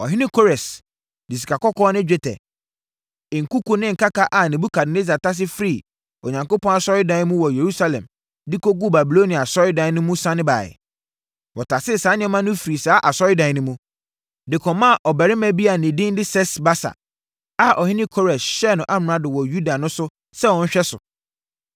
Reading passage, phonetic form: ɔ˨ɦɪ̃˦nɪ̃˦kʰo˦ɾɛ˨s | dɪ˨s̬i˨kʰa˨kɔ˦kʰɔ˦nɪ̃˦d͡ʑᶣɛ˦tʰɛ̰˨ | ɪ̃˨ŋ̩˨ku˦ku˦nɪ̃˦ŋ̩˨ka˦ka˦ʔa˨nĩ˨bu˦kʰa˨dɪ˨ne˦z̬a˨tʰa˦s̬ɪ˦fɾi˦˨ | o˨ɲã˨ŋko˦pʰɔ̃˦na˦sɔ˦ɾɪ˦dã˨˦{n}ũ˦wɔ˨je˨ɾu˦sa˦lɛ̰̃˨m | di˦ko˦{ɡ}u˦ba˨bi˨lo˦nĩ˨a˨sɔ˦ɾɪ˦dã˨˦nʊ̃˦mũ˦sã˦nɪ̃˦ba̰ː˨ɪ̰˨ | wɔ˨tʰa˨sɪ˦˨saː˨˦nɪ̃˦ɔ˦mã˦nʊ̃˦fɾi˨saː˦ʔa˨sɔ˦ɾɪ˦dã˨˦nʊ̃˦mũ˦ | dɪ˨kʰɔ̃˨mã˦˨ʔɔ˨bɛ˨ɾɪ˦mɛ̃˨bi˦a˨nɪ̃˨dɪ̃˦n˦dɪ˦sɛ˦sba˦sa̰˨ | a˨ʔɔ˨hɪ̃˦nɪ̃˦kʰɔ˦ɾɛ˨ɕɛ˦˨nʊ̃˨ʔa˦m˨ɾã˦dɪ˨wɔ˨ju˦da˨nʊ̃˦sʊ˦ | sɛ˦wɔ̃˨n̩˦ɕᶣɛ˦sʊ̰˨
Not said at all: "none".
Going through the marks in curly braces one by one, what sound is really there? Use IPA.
m, ɡ

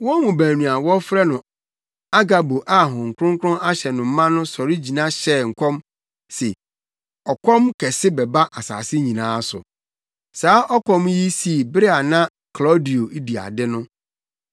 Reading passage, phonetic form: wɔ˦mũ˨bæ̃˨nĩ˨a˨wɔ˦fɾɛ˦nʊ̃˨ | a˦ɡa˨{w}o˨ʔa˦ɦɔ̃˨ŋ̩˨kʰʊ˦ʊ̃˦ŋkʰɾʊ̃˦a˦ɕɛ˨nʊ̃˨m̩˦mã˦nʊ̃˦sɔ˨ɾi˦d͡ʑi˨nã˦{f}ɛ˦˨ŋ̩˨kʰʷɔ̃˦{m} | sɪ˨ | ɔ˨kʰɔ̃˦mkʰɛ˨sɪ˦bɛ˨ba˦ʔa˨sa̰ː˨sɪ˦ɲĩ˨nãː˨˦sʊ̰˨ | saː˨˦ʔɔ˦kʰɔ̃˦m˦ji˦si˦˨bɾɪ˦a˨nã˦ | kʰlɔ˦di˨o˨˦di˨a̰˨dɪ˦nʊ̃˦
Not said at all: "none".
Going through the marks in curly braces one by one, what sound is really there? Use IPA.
b, ɕ, m

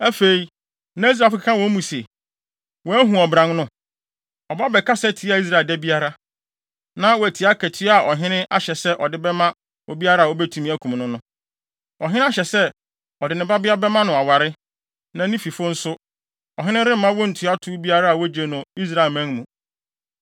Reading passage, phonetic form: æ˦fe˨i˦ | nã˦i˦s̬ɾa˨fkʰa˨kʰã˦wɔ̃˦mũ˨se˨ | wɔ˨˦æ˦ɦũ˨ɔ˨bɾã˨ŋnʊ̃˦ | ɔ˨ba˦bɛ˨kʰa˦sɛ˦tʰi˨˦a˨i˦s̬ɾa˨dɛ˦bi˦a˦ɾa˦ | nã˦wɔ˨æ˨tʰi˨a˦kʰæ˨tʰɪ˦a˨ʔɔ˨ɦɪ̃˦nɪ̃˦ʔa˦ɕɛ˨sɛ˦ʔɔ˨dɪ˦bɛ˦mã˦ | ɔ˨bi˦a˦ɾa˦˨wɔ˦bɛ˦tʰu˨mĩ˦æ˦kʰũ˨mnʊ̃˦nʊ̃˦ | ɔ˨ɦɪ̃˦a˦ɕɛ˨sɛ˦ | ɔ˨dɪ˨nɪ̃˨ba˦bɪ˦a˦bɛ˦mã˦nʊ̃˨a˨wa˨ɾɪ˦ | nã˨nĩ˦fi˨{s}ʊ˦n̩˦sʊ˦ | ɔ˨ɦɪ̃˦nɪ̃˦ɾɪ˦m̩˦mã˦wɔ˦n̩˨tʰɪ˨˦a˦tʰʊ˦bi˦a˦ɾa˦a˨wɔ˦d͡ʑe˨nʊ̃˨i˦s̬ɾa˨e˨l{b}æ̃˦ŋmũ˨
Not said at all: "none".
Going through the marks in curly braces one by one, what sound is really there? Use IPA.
f, m

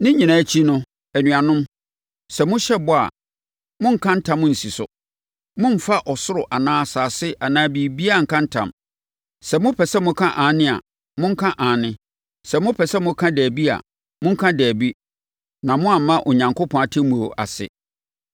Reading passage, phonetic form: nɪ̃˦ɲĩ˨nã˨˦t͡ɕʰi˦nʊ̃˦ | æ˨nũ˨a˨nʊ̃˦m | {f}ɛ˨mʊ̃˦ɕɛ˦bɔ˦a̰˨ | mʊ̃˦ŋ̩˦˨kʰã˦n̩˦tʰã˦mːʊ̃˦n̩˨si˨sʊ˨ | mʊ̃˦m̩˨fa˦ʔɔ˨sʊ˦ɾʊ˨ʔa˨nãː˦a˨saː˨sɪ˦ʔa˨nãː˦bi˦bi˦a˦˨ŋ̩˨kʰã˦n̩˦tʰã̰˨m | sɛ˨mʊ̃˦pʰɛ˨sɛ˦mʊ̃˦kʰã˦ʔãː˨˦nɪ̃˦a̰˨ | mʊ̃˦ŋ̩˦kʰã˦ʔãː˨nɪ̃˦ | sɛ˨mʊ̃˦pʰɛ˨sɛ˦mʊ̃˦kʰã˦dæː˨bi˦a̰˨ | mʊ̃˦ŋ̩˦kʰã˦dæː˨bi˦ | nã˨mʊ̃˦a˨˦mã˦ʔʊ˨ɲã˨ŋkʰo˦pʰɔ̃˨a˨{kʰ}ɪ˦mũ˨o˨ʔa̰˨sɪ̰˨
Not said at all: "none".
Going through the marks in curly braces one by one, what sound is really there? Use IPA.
s, tʰ

